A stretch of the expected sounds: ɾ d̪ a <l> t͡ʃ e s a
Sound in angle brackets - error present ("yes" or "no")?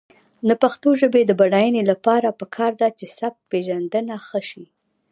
yes